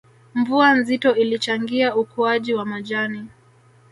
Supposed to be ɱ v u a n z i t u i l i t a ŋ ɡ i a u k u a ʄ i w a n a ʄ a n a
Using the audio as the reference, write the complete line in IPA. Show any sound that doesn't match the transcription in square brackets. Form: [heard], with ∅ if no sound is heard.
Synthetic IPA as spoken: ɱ v u a n z i t [ɔ] i l i [t͡ʃ] a ŋ ɡ i a u k u a ʄ i w a [m] a ʄ a n [i]